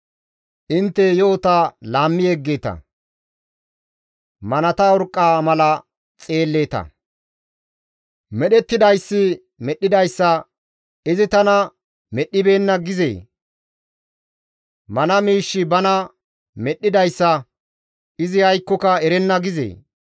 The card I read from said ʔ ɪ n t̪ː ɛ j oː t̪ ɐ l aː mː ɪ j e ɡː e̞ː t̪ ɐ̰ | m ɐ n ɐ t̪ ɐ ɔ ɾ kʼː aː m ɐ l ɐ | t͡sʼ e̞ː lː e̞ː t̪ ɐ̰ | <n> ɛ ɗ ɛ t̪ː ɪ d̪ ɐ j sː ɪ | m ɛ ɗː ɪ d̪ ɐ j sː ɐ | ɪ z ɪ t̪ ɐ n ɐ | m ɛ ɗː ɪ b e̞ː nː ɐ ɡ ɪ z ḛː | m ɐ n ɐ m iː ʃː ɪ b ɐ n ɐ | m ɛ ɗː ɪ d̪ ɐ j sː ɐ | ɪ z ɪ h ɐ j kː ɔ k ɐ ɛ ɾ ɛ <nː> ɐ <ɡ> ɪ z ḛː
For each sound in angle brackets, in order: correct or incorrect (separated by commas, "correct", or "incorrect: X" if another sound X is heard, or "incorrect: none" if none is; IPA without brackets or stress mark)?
incorrect: m, correct, correct